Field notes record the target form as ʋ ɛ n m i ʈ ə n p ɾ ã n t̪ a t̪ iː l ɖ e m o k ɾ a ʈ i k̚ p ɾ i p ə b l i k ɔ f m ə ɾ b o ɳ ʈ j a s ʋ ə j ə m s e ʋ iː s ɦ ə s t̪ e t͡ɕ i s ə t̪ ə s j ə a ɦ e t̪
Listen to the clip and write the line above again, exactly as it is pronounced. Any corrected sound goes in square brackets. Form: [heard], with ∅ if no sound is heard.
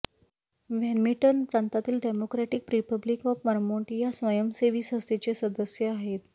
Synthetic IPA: ʋ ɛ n m i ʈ ə n p ɾ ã n t̪ a t̪ iː l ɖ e m o k ɾ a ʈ i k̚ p ɾ i p ə b l i k ɔ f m ə ɾ [m] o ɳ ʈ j a s ʋ ə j ə m s e ʋ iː s ɦ ə s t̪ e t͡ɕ [e] s ə [d̪] ə s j ə a ɦ e t̪